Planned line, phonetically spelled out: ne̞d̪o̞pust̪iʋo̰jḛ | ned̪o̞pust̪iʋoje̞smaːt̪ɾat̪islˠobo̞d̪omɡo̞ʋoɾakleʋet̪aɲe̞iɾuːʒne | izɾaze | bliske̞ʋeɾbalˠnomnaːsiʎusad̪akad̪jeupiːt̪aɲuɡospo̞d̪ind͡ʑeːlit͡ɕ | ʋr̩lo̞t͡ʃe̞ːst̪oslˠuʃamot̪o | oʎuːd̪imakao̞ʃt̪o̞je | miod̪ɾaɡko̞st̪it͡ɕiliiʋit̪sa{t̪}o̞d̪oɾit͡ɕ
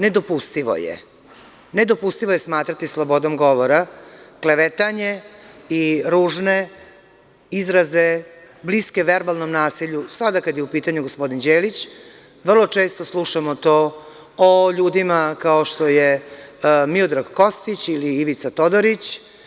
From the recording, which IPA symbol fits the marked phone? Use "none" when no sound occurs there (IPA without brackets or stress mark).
t̪